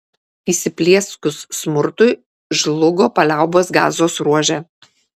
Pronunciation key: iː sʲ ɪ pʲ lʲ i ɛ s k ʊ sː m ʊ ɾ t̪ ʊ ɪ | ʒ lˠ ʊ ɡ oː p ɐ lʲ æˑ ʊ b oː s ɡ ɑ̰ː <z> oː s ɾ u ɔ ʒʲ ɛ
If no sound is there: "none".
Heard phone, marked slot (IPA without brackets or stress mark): z